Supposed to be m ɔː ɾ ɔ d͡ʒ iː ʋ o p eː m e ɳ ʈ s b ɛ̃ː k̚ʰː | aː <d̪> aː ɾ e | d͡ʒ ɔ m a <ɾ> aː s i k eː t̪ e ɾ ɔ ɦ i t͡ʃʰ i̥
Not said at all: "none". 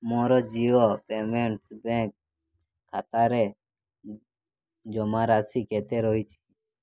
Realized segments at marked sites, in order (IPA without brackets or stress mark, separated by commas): t̪, ɾ